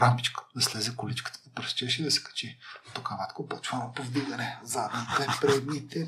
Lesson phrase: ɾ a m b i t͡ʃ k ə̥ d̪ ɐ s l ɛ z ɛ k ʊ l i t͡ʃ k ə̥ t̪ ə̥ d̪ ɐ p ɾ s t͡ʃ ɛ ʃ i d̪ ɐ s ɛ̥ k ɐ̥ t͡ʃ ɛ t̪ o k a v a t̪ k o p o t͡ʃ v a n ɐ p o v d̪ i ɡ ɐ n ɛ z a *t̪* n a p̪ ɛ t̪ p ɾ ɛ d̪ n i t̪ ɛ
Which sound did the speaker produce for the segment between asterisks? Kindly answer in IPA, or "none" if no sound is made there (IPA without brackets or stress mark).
d̪